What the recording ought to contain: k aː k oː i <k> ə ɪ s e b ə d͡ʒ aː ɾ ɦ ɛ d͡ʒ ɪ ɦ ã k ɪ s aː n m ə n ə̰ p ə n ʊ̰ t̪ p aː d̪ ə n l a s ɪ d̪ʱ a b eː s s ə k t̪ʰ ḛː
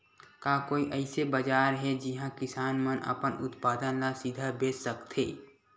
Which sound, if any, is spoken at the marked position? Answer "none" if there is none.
ʔ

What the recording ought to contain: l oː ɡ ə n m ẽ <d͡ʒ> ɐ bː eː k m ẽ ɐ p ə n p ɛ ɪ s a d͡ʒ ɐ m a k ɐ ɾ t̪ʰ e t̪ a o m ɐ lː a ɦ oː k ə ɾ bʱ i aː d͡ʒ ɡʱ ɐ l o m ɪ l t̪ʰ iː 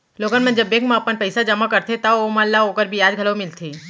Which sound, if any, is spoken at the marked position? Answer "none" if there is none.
d͡ʒ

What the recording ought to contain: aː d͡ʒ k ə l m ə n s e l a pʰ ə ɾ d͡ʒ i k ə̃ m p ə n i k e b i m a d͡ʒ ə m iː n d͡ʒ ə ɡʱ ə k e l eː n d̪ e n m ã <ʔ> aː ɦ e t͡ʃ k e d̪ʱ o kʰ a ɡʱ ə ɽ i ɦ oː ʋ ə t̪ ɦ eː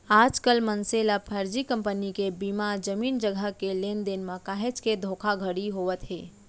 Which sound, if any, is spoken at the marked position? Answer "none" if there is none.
k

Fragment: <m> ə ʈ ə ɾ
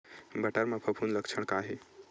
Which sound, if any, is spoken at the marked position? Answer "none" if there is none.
b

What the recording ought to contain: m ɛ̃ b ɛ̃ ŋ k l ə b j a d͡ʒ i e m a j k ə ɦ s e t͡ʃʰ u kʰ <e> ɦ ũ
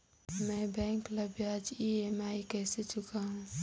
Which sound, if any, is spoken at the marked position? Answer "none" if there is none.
a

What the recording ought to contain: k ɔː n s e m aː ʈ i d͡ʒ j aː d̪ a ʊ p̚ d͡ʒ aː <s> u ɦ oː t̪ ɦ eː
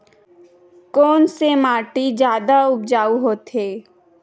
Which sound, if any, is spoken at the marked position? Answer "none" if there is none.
none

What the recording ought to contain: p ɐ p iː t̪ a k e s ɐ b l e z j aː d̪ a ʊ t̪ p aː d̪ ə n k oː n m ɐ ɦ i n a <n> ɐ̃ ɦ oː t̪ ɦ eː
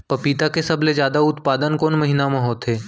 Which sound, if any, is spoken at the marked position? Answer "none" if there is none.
m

